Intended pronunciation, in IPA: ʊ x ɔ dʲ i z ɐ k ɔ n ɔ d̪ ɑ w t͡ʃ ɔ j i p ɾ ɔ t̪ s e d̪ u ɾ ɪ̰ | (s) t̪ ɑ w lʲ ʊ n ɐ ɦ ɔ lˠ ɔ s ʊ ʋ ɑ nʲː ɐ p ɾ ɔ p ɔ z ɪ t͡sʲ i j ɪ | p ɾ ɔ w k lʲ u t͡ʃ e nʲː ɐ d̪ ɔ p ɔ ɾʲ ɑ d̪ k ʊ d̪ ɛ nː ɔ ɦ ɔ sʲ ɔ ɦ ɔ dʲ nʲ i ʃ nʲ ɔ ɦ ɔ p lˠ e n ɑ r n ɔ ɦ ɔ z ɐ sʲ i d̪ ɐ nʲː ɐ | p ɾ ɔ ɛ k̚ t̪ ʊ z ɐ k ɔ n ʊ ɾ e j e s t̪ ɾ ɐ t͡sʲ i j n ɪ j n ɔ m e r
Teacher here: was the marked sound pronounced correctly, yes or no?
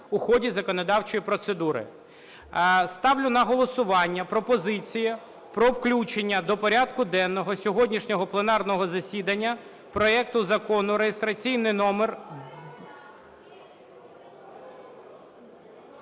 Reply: yes